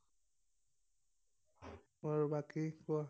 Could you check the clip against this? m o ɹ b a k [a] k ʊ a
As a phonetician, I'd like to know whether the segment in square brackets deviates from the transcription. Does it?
yes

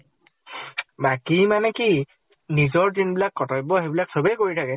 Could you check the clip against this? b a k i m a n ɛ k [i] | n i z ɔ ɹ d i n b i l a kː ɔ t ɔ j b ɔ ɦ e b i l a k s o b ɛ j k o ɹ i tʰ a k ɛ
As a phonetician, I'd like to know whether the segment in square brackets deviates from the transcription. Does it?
no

